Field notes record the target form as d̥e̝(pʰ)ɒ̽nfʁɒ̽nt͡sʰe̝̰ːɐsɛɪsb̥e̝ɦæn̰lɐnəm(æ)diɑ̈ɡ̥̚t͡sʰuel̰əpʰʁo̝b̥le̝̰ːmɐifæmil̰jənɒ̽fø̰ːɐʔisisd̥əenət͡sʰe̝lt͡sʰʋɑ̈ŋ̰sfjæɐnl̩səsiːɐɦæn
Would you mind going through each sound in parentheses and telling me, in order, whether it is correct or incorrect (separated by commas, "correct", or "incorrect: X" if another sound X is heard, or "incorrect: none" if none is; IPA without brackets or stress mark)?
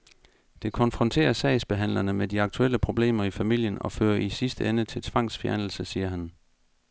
incorrect: kʰ, incorrect: e